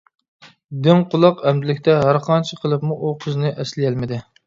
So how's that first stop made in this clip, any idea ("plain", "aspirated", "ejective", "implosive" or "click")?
plain